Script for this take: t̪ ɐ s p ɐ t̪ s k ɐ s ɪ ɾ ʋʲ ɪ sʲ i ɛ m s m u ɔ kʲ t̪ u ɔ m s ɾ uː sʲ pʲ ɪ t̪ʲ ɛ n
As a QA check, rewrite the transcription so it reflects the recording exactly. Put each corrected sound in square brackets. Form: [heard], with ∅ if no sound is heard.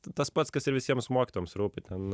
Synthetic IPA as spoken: t̪ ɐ s p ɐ t̪ s k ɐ s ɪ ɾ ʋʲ ɪ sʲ i ɛ m s m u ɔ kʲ t̪ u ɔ m s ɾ uː [∅] pʲ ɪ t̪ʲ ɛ n